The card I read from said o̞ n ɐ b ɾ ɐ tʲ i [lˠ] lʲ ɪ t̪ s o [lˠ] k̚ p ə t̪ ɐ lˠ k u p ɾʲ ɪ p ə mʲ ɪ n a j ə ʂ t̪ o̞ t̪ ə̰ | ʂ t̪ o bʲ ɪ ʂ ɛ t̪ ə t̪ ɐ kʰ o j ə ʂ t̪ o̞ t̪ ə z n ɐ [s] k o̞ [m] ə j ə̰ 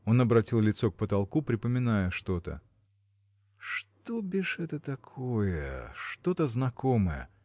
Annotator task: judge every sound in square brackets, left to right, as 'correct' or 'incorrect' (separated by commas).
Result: correct, incorrect, incorrect, correct